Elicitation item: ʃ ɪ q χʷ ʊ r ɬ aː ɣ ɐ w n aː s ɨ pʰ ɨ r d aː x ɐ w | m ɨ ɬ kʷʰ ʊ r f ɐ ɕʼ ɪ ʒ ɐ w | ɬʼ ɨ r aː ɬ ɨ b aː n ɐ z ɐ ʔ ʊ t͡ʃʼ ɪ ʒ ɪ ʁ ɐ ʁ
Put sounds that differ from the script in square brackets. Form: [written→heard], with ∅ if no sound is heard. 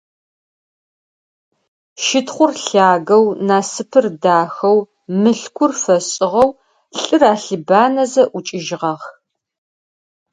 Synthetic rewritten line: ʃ ɪ [q→t] χʷ ʊ r ɬ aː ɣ ɐ w n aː s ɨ pʰ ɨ r d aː x ɐ w | m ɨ ɬ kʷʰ ʊ r f ɐ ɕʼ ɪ [ʒ→ʁ] ɐ w | ɬʼ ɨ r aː ɬ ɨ b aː n ɐ z ɐ ʔ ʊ t͡ʃʼ ɪ ʒ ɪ ʁ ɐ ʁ